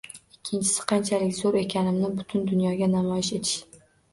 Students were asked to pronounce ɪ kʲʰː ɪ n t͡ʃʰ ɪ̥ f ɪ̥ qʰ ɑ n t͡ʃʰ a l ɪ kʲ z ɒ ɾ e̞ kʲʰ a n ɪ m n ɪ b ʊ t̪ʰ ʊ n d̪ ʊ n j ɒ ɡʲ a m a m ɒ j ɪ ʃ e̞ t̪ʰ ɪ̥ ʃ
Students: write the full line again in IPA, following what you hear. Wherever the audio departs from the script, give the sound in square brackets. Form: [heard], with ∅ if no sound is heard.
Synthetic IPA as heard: ɪ kʲʰː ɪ n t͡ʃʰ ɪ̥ [s] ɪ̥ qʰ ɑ n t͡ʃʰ a l ɪ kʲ z [o] ɾ e̞ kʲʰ a n ɪ m n ɪ b ʊ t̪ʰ ʊ n d̪ ʊ n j ɒ ɡʲ a [n] a m ɒ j ɪ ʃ e̞ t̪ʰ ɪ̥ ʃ